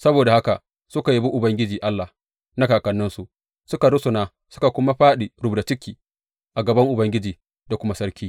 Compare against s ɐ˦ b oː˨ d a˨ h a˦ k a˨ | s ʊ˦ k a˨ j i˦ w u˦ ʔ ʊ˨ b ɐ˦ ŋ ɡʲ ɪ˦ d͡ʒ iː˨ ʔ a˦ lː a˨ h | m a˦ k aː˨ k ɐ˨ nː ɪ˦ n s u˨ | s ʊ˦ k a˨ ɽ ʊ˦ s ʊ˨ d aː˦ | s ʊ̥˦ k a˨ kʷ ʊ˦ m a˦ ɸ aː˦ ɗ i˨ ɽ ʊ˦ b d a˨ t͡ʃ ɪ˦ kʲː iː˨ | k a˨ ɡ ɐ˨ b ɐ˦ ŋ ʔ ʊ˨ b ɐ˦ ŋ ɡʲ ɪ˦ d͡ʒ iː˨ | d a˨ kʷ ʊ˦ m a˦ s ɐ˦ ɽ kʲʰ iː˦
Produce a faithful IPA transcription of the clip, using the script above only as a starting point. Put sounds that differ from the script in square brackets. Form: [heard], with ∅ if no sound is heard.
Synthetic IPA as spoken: s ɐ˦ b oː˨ d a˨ h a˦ k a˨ | s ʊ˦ k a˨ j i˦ [b] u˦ ʔ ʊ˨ b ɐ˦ ŋ ɡʲ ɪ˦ d͡ʒ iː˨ ʔ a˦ lː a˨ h | [n] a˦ k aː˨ k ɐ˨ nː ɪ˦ n s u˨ | s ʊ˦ k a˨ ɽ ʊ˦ s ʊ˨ [n] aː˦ | s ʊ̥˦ k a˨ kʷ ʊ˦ m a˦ ɸ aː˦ ɗ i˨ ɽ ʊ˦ b d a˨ t͡ʃ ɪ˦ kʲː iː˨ | [ʔ] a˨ ɡ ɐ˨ b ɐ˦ ŋ ʔ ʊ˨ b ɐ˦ ŋ ɡʲ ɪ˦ d͡ʒ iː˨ | d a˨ kʷ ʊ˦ m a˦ s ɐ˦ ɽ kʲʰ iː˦